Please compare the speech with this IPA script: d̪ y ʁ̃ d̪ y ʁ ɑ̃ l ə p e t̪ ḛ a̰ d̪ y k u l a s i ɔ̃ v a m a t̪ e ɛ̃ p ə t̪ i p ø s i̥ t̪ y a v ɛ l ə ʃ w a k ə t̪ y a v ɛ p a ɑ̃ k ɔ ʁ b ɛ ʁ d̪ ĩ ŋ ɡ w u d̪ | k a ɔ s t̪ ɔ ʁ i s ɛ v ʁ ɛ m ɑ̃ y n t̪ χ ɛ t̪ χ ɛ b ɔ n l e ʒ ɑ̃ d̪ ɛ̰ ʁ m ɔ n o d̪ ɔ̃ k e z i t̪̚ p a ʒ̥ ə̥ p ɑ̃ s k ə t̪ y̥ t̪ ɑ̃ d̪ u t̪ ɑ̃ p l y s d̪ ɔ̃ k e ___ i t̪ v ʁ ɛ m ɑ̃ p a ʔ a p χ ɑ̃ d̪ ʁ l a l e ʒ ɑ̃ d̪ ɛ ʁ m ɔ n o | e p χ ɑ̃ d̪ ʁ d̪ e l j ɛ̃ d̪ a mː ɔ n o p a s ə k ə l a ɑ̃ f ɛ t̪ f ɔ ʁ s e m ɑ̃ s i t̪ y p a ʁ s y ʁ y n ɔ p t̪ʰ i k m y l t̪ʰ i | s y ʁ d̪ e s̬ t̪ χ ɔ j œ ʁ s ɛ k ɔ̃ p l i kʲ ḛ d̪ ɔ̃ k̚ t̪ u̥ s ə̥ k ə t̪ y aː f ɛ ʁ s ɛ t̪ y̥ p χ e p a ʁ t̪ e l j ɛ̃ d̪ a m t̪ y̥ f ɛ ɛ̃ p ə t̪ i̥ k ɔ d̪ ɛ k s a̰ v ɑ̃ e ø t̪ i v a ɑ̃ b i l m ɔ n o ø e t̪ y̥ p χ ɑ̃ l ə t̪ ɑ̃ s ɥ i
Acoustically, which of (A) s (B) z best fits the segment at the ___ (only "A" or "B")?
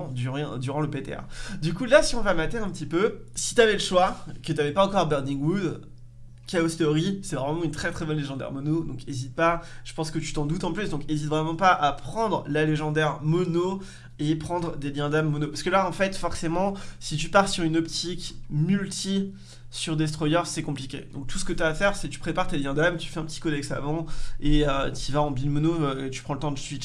B